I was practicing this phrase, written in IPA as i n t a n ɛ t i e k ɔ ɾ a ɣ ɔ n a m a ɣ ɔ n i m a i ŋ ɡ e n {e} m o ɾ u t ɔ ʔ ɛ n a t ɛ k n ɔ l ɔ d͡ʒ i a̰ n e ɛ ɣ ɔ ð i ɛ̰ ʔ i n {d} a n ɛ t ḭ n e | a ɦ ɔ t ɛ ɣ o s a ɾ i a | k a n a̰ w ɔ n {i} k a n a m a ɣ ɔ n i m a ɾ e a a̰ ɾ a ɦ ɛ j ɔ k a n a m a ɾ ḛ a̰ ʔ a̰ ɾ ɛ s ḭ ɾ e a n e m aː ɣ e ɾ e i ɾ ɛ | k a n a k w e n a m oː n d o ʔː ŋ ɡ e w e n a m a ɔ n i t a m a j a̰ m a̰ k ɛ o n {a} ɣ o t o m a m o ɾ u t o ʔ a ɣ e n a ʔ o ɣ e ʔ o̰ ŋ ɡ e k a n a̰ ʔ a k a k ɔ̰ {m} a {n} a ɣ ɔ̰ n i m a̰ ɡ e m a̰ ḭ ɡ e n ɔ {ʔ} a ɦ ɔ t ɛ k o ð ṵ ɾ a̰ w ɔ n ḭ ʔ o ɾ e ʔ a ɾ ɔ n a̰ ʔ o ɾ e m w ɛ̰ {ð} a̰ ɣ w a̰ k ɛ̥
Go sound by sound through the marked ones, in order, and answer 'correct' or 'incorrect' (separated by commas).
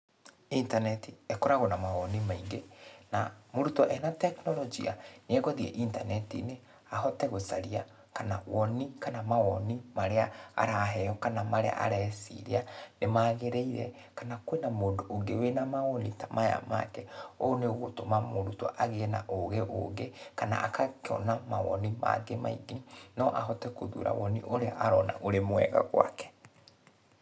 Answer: incorrect, incorrect, correct, incorrect, incorrect, incorrect, correct, incorrect